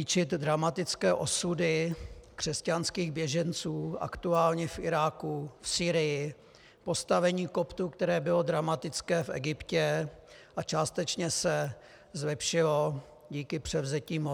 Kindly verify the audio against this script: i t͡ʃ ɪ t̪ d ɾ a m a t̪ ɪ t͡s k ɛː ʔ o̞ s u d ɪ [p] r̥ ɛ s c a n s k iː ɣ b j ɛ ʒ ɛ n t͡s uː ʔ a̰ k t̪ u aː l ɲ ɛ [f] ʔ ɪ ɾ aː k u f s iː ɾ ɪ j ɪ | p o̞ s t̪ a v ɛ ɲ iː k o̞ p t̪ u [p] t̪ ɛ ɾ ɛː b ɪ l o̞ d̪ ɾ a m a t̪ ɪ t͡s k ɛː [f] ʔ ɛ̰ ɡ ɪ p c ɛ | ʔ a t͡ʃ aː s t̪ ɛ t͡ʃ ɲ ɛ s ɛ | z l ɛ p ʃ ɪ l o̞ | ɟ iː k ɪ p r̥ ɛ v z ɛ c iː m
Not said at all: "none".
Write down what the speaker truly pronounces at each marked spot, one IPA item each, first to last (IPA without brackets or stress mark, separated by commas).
k, f, k, f